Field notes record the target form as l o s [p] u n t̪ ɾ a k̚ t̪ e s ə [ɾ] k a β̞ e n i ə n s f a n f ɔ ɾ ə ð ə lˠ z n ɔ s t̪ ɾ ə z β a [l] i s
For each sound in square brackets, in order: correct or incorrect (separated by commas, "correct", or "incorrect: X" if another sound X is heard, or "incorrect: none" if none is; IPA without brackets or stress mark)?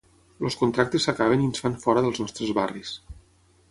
incorrect: k, incorrect: none, incorrect: r